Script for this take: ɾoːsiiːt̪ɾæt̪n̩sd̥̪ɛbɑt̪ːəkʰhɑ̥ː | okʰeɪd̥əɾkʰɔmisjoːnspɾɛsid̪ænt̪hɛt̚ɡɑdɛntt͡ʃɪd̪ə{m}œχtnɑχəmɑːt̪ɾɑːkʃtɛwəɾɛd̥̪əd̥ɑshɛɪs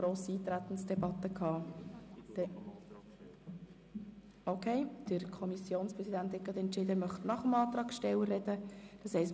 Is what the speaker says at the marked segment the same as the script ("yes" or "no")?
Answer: yes